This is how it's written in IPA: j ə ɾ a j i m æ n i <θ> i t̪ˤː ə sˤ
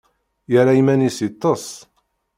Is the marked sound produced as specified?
no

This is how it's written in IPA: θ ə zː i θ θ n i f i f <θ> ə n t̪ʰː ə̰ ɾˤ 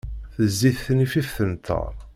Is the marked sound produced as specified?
yes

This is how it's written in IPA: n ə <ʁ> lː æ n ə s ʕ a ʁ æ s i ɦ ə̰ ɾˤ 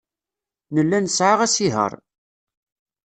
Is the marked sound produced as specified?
no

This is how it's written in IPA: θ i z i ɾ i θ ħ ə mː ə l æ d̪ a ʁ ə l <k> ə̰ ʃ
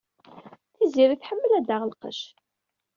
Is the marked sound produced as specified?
no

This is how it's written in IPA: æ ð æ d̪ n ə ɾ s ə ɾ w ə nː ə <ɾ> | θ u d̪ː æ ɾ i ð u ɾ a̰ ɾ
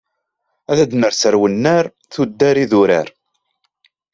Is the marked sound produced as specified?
yes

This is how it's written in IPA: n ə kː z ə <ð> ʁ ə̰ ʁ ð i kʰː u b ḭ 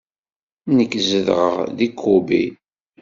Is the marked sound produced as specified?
yes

